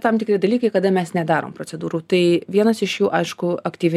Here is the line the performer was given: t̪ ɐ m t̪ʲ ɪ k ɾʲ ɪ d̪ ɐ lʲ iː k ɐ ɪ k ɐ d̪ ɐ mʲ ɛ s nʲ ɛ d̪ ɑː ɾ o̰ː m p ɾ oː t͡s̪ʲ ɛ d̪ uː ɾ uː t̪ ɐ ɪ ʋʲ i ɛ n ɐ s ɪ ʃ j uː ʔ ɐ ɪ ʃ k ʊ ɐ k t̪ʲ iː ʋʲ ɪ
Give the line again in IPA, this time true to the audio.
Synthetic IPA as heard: t̪ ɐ m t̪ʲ ɪ k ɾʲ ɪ d̪ ɐ lʲ iː k ɐ ɪ k ɐ d̪ ɐ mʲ ɛ s nʲ ɛ d̪ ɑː ɾ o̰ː m p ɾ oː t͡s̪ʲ ɛ d̪ uː ɾ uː t̪ ɐ ɪ ʋʲ i ɛ n ɐ s ɪ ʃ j uː ʔ ɐ ɪ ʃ k ʊ ɐ k t̪ʲ iː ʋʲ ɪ